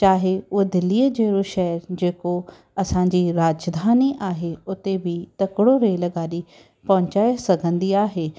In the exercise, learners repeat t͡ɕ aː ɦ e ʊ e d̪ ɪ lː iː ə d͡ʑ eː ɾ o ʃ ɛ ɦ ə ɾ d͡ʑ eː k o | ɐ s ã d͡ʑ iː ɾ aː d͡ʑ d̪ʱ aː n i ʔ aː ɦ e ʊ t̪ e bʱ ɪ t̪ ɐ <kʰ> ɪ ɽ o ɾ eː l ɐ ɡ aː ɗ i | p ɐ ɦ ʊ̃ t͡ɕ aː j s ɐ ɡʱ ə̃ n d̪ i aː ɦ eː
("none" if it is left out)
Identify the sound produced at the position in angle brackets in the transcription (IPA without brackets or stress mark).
k